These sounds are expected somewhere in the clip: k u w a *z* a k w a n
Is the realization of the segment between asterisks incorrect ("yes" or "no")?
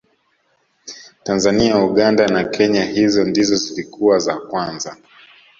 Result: no